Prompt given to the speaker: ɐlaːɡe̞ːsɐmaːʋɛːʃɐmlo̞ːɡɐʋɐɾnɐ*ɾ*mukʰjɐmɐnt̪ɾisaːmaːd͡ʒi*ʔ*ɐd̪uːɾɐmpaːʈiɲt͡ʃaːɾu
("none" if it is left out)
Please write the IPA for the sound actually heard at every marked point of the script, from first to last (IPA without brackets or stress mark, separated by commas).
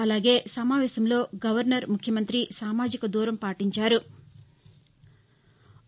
ɾ, k